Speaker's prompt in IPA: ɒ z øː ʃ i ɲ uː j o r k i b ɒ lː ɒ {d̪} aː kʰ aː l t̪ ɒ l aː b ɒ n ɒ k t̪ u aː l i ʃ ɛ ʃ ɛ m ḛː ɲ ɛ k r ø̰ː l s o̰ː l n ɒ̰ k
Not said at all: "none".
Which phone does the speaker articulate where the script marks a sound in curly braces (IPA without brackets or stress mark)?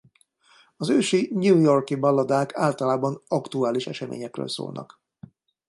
d̪